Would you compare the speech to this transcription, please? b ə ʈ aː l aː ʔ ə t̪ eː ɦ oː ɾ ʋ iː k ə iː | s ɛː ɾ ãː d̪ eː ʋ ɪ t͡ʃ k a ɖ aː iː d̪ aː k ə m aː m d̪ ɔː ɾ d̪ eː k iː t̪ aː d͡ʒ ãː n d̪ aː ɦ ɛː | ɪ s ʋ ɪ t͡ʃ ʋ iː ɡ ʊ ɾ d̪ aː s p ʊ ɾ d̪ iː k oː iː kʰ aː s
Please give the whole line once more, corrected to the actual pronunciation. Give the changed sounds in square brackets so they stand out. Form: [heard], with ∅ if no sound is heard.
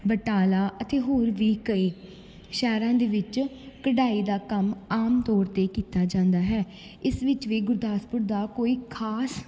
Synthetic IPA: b ə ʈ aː l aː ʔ ə t̪ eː ɦ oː ɾ ʋ iː k ə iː | [ʃ] ɛː ɾ ãː d̪ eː ʋ ɪ t͡ʃ k [ə] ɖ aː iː d̪ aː k ə m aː m [t̪] ɔː ɾ [t̪] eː k iː t̪ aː d͡ʒ ãː n d̪ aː ɦ ɛː | ɪ s ʋ ɪ t͡ʃ ʋ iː ɡ ʊ ɾ d̪ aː s p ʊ ɾ d̪ [aː] k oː iː kʰ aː s